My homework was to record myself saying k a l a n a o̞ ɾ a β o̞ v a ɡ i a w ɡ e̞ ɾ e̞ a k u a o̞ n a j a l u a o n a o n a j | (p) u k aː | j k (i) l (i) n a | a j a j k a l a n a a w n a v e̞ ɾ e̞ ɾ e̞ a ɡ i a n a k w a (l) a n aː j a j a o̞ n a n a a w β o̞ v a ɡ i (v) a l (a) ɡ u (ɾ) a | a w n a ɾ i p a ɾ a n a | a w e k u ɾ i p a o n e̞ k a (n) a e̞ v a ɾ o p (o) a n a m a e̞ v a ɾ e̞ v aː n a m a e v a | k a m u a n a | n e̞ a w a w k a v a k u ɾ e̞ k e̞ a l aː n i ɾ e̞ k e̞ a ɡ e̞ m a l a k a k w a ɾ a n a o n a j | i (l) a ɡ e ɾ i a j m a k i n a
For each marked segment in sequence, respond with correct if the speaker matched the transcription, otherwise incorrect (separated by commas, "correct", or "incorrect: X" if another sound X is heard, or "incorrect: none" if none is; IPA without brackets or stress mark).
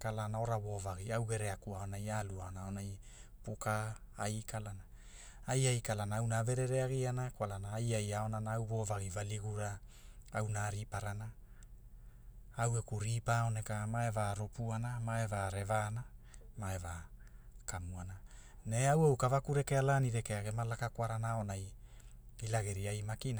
correct, incorrect: a, incorrect: a, correct, correct, incorrect: i, correct, incorrect: m, incorrect: u, correct